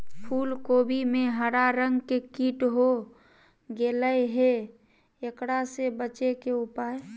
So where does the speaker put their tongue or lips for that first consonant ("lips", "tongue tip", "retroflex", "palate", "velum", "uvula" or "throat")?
lips